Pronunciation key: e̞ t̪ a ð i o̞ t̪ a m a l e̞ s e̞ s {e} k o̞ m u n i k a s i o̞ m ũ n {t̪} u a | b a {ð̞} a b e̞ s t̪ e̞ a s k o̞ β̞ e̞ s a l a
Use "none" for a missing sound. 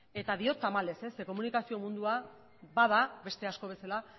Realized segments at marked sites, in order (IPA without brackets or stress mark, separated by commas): e, d̪, ð̞